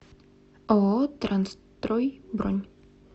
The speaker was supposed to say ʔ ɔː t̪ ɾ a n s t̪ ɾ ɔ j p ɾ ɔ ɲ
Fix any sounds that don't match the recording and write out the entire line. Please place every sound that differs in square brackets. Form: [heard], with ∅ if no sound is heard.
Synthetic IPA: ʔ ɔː t̪ ɾ a n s t̪ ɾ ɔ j [b] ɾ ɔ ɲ